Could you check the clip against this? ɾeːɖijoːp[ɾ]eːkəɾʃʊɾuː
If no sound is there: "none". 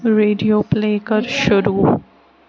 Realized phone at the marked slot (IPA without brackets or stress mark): l